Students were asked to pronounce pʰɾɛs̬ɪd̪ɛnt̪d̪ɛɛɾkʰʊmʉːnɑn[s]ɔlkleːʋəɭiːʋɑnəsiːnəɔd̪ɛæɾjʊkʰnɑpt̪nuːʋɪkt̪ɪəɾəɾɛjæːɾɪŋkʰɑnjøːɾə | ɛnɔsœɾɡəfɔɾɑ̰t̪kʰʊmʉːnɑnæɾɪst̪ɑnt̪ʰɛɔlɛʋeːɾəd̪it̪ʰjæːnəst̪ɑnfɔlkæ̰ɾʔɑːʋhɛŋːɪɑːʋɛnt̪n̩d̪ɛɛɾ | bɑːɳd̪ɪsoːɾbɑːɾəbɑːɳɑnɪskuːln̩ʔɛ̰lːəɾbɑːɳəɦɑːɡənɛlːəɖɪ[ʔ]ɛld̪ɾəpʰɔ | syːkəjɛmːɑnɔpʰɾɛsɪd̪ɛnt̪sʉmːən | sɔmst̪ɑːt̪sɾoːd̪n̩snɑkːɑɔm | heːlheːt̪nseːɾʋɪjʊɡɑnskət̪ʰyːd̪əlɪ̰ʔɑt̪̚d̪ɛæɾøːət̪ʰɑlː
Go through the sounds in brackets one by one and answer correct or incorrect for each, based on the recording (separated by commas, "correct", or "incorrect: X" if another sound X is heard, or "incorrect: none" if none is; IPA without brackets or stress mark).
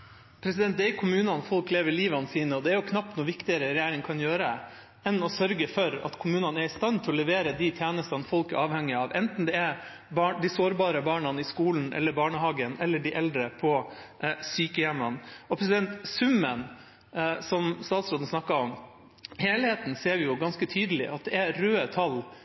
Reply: incorrect: f, correct